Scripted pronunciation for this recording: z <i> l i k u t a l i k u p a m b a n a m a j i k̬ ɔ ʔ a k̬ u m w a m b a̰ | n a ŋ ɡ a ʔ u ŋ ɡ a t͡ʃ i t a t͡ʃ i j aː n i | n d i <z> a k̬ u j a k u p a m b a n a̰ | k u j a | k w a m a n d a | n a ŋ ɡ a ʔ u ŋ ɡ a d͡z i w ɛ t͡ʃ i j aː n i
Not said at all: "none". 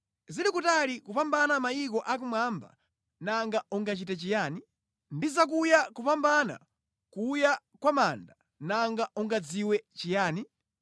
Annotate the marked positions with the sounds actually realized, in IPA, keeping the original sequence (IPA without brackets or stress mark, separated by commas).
i, z